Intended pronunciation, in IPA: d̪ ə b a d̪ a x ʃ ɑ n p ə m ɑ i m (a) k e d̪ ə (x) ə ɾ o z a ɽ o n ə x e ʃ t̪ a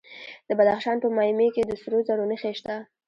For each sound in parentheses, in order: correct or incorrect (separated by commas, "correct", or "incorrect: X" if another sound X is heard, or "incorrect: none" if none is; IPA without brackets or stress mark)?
incorrect: e, incorrect: s